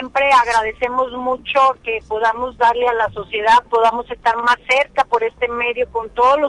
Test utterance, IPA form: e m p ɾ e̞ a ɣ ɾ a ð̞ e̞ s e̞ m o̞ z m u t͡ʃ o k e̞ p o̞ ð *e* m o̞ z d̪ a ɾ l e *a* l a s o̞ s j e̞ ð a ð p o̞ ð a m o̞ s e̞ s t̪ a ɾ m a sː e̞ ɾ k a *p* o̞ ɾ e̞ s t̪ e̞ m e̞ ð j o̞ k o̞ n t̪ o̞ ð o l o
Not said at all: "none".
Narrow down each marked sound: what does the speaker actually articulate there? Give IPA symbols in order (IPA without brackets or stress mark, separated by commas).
a, a, p